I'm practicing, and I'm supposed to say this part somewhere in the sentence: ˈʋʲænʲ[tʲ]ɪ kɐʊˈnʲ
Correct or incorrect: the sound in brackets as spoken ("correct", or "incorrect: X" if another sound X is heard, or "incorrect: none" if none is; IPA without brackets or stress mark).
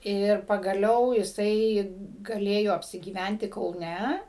correct